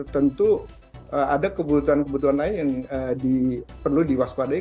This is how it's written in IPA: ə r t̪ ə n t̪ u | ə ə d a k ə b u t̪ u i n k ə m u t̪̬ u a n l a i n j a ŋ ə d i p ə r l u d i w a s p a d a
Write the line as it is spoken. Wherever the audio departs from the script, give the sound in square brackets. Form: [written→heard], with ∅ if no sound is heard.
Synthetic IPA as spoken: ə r t̪ ə n t̪ u | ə [ə→a] d a k ə b u t̪ u [i→a] n k ə [m→b] u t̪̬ u a n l a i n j a ŋ ə d i p ə r l u d i w a s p a d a